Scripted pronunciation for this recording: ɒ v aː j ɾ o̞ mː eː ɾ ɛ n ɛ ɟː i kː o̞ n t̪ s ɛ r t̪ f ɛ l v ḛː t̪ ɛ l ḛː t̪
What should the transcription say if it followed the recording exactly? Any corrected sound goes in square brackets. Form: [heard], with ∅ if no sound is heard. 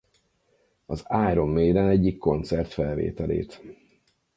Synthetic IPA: ɒ [z] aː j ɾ o̞ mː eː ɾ ɛ n ɛ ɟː i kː o̞ n t̪ s ɛ r t̪ f ɛ l v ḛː t̪ ɛ l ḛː t̪